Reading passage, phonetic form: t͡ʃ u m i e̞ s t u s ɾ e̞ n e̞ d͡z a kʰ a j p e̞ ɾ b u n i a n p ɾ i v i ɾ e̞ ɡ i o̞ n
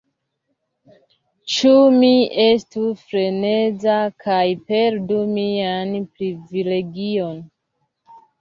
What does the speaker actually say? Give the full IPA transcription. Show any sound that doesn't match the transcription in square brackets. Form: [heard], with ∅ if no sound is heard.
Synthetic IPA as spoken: t͡ʃ u m i e̞ s t u [f] ɾ e̞ n e̞ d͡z a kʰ a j p e̞ ɾ [d] u [m] i a n p ɾ i v i [l] e̞ ɡ i o̞ n